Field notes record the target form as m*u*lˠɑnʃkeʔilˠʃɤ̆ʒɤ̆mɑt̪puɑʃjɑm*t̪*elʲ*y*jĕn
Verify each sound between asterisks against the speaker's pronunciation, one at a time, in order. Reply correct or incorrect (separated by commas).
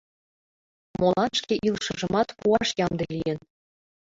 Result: incorrect, incorrect, incorrect